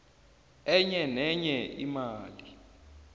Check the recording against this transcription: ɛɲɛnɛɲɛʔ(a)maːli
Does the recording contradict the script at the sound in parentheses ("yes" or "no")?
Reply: yes